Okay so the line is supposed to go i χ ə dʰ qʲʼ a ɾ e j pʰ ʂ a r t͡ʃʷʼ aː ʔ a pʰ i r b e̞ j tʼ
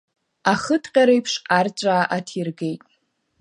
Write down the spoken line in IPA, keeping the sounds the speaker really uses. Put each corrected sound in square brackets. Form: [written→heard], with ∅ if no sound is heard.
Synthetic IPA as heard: [i→a] χ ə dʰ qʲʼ a ɾ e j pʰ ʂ a r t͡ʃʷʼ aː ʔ a [pʰ→tʰ] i r [b→ɡ] e̞ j tʼ